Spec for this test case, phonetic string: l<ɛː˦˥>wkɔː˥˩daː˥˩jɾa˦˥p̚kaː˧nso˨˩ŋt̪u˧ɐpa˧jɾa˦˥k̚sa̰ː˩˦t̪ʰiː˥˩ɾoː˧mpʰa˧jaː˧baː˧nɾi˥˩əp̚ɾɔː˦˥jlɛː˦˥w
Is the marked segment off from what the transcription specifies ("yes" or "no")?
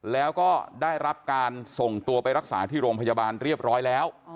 no